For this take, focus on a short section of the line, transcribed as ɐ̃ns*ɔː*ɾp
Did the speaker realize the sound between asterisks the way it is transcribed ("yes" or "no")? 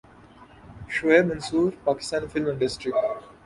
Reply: no